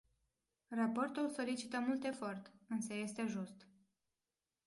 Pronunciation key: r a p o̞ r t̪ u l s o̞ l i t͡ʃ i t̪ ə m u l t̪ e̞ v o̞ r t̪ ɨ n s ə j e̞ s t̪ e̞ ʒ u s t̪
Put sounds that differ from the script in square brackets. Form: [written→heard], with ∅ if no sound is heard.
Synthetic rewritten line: r a p o̞ r t̪ u l s o̞ l i t͡ʃ i t̪ ə m u l t̪ e̞ [v→f] o̞ r t̪ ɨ n s ə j e̞ s t̪ e̞ ʒ u s t̪